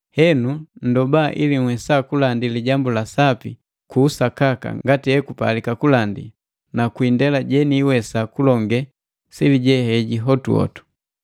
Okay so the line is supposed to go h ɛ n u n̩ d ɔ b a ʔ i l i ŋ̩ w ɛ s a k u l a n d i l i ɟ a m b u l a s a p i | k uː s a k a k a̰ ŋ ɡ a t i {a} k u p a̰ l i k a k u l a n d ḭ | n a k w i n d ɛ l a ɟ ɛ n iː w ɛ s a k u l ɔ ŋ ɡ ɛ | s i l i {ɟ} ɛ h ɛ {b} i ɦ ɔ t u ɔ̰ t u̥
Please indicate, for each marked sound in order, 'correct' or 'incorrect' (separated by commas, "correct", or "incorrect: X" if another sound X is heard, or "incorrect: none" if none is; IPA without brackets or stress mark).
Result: incorrect: ɛ, correct, incorrect: ɟ